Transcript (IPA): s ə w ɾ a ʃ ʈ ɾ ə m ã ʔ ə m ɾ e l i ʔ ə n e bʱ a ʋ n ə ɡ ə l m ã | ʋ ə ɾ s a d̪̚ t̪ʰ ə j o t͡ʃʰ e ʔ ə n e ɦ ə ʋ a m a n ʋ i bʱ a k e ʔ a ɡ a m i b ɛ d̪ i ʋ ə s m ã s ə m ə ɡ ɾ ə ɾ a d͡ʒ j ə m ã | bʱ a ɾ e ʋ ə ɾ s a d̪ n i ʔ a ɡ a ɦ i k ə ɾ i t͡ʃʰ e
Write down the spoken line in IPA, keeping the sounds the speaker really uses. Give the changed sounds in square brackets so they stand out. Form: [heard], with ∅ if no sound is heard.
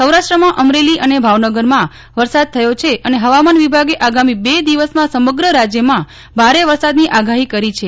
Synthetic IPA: s ə w ɾ a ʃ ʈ ɾ ə m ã ʔ ə m ɾ e l i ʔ ə n e bʱ a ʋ n ə ɡ ə [ɾ] m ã | ʋ ə ɾ s a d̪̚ t̪ʰ ə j o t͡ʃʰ e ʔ ə n e ɦ ə ʋ a m a n ʋ i bʱ a [ɡ] e ʔ a ɡ a m i b [e] d̪ i ʋ ə s m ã s ə m ə ɡ ɾ ə ɾ a d͡ʒ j ə m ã | bʱ a ɾ e ʋ ə ɾ s a d̪ n i ʔ a ɡ a ɦ i k ə ɾ i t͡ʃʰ e

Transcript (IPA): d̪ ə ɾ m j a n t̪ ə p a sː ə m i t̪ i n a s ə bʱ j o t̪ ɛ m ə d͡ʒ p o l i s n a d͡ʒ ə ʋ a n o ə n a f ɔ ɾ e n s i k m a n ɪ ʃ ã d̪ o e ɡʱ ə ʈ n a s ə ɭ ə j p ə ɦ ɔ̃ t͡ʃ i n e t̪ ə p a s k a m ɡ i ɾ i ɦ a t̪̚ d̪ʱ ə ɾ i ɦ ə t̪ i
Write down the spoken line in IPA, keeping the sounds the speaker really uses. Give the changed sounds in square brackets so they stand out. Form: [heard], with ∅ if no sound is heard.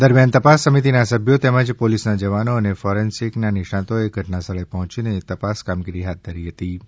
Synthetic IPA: d̪ ə ɾ m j a n t̪ ə p a sː ə m i t̪ i n a s ə bʱ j o t̪ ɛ m ə d͡ʒ p o l i s n a d͡ʒ ə ʋ a n o ə n [e] f ɔ ɾ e n s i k [n] a n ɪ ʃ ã [t̪] o e ɡʱ ə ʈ n a s ə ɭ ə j p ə ɦ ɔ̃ t͡ʃ i n e t̪ ə p a s k a m ɡ i ɾ i ɦ a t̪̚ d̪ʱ ə ɾ i ɦ ə t̪ i

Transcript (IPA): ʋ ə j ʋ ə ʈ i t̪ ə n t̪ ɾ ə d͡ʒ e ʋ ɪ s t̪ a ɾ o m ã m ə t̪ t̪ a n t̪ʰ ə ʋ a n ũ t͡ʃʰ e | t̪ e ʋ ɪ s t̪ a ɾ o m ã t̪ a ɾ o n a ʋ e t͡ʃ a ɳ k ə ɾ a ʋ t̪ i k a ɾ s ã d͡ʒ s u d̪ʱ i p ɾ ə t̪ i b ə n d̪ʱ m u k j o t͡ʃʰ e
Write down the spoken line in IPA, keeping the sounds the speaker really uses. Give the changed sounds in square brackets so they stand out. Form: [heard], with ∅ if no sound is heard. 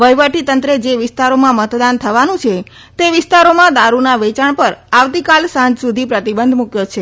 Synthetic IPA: ʋ ə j ʋ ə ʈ i t̪ ə n t̪ ɾ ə d͡ʒ e ʋ ɪ s t̪ a ɾ o m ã m ə t̪ [d̪] a n t̪ʰ ə ʋ a n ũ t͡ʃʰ e | t̪ e ʋ ɪ s t̪ a ɾ o m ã [d̪] a ɾ [u] n a ʋ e t͡ʃ a ɳ [p] ə ɾ a ʋ t̪ i k a [l] s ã d͡ʒ s u d̪ʱ i p ɾ ə t̪ i b ə n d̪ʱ m u k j o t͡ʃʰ e

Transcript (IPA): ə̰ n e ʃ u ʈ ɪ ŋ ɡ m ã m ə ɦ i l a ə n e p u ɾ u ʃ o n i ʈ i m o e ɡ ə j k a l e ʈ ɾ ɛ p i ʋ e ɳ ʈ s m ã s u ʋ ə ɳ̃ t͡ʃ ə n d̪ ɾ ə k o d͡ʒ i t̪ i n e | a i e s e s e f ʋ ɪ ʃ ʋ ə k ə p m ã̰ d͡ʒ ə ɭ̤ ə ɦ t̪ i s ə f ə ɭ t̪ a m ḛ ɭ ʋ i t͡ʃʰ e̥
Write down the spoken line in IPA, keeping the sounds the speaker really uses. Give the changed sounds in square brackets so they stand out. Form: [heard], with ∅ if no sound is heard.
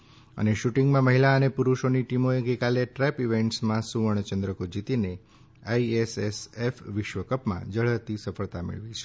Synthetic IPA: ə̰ n e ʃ u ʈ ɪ ŋ ɡ m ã m ə ɦ i l a ə n e p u ɾ u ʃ o n i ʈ i m o e ɡ ə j k a l e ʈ ɾ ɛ p i ʋ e ɳ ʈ s m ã s u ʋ ə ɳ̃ t͡ʃ ə n d̪ ɾ ə k o d͡ʒ i t̪ i n e | a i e s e s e f ʋ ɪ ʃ ʋ ə k ə p m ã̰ d͡ʒ ə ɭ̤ ə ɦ t̪ i s ə f ə ɭ t̪ a m ḛ ɭ ʋ i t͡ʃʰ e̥

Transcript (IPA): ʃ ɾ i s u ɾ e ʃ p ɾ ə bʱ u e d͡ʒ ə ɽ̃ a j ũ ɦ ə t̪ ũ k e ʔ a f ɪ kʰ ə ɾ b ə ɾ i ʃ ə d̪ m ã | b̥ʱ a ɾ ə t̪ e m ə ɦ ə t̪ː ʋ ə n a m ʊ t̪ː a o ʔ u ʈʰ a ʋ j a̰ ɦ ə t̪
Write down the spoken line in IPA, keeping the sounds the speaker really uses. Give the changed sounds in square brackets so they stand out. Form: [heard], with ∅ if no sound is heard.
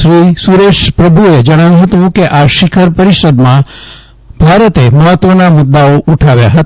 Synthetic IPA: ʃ ɾ i s u ɾ e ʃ p ɾ ə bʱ u e d͡ʒ ə ɽ̃ a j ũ ɦ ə t̪ ũ k e ʔ a [ʃ] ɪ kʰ ə ɾ [p] ə ɾ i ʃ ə d̪ m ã | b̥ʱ a ɾ ə t̪ e m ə ɦ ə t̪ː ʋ ə n a m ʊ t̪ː a o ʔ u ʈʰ a ʋ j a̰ ɦ ə t̪

